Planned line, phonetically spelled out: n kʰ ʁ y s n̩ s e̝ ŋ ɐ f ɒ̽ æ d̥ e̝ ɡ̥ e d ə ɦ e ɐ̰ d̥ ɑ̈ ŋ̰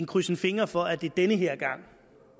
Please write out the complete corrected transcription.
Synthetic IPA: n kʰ ʁ y s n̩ f e̝ ŋ ɐ f ɒ̽ æ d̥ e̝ d̥ e n ə ɦ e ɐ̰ ɡ̥ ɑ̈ ŋ̰

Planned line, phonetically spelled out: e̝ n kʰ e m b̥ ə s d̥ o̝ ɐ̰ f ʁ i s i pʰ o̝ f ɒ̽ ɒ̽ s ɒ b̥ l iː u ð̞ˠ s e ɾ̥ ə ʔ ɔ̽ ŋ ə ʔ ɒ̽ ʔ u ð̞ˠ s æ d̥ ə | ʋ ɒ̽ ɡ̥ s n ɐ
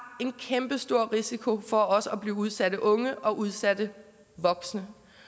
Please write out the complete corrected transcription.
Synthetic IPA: e̝ n kʰ e m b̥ ə s d̥ o̝ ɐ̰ ʁ i s i kʰ o̝ f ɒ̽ ɒ̽ s ɒ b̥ l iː u ð̞ˠ s æ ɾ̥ ə ʔ ɔ̽ ŋ ə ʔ ɒ̽ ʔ u ð̞ˠ s æ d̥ ə | ʋ ɒ̽ ɡ̥ s n ə

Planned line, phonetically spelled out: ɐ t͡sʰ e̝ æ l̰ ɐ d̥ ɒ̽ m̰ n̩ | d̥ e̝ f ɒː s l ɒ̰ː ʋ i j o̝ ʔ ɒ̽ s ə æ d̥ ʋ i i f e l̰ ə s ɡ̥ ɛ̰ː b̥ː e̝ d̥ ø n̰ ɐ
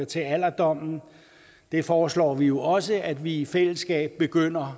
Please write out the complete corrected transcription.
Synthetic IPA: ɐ t͡sʰ e̝ æ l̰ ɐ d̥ ɒ̽ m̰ n̩ | d̥ e̝ f ɒː s l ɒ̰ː ʋ i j o̝ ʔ ɒ̽ s ə æ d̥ ʋ i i f e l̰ ə s ɡ̥ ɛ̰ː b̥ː e̝ ɡ̥ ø n̰ ɐ

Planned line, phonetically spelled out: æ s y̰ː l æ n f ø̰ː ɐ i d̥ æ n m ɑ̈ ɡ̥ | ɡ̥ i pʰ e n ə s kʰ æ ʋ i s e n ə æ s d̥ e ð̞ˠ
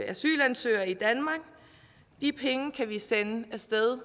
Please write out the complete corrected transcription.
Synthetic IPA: æ s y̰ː l æ n s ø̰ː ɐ i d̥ æ n m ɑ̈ ɡ̥ | d̥ i pʰ e ŋ ə kʰ æ ʋ i s e n ə æ s d̥ e ð̞ˠ

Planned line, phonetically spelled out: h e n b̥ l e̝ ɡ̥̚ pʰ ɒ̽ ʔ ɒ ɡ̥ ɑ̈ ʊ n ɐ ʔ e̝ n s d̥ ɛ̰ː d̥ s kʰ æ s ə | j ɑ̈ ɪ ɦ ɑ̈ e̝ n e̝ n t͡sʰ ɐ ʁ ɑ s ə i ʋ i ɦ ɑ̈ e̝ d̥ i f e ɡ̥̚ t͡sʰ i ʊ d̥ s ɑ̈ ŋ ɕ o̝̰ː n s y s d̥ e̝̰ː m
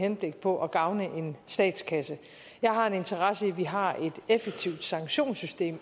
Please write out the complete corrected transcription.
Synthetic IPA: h e n b̥ l e̝ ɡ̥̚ pʰ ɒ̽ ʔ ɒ ɡ̥ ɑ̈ ʊ n ə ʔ e̝ n s d̥ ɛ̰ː d̥ s kʰ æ s ə | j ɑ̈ ɪ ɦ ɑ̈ e̝ n e̝ n t͡sʰ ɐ ʁ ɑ s ə i ʋ i ɦ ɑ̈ e̝ d̥ e f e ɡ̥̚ t͡sʰ i ʊ d̥ s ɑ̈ ŋ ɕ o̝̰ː n s y s d̥ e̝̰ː m

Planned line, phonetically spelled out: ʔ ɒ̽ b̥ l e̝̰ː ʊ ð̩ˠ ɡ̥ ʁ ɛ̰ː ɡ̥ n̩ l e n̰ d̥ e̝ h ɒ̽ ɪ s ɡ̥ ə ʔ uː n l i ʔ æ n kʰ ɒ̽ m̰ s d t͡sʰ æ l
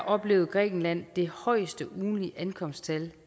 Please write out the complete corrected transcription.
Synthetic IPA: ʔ ɒ̽ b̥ l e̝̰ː ʊ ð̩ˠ ɡ̥ ʁ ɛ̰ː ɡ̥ n̩ l æ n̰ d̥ e̝ h ɒ̽ ɪ s d̥ ə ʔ uː n l i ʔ æ n kʰ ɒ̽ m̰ s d t͡sʰ æ l

